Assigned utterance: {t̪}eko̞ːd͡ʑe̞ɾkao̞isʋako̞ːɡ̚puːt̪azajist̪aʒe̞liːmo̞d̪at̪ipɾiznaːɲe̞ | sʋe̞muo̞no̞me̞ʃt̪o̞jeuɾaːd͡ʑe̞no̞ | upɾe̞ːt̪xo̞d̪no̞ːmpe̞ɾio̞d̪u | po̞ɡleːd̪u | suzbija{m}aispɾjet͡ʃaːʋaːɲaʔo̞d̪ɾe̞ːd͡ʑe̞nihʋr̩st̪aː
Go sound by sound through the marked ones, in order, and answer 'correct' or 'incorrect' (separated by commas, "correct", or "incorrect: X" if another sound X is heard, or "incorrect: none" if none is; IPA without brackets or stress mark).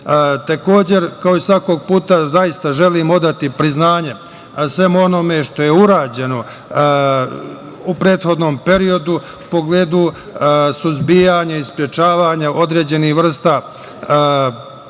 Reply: correct, incorrect: ɲ